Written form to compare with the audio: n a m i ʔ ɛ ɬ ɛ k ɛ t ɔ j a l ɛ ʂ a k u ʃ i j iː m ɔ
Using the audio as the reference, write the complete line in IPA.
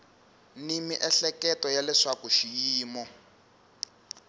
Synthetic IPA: n i m i ʔ ɛ ɬ ɛ k ɛ t ɔ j a l ɛ ʂ a k u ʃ i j iː m ɔ